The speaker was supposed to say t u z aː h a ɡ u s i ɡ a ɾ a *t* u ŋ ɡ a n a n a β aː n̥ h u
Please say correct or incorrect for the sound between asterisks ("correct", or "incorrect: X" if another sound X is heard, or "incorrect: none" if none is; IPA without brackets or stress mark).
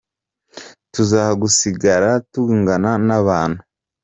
correct